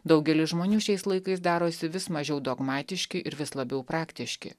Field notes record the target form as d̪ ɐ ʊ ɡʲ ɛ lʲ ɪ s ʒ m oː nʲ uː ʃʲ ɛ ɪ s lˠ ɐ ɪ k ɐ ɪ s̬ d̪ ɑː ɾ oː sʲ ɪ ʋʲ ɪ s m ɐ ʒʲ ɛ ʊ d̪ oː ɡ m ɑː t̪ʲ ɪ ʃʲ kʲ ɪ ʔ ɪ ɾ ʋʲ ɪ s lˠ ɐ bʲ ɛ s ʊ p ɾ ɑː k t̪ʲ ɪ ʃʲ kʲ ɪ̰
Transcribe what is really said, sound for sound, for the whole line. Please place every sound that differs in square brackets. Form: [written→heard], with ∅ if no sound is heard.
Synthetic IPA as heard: d̪ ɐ ʊ ɡʲ ɛ lʲ ɪ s ʒ m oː nʲ uː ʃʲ ɛ ɪ s lˠ ɐ ɪ k ɐ ɪ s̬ d̪ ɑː ɾ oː sʲ ɪ ʋʲ ɪ s m ɐ ʒʲ ɛ ʊ d̪ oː ɡ m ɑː t̪ʲ ɪ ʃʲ kʲ ɪ ʔ ɪ ɾ ʋʲ ɪ s lˠ ɐ bʲ ɛ [s→∅] ʊ p ɾ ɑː k t̪ʲ ɪ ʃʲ kʲ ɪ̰